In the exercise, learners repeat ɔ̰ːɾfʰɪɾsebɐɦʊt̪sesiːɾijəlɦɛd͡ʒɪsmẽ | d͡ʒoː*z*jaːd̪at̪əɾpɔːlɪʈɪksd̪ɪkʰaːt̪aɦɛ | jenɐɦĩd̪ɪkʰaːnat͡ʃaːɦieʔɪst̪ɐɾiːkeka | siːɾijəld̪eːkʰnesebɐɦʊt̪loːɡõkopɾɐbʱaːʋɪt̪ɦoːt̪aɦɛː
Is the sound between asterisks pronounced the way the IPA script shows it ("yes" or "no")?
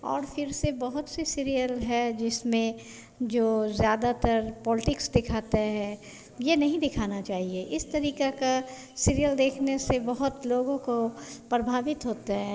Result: yes